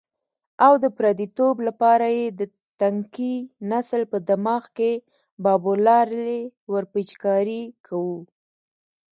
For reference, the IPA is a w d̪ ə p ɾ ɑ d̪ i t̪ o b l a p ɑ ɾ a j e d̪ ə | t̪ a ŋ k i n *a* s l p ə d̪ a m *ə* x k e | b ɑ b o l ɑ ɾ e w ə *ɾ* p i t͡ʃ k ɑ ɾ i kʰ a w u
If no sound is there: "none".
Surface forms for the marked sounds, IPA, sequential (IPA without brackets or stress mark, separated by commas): a, ɑ, ɾ